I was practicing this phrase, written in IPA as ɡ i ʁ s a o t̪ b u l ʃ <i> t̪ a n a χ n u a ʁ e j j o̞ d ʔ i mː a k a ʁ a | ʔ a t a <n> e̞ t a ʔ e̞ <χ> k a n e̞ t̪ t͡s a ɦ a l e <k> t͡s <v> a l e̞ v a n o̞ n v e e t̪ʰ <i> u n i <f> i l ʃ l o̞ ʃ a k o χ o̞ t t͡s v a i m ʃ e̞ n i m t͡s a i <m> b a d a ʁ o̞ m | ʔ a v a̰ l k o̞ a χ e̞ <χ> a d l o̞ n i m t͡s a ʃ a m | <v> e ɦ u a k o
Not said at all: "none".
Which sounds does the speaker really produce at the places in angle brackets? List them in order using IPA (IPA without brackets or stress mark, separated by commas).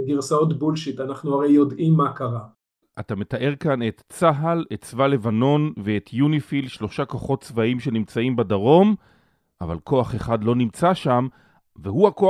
i, m, ʁ, t, v, j, f, m, χ, v